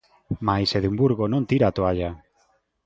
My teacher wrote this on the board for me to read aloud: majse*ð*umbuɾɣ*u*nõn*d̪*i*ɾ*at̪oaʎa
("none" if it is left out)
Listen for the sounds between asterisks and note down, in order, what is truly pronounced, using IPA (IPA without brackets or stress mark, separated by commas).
ð, o, t̪, ɾ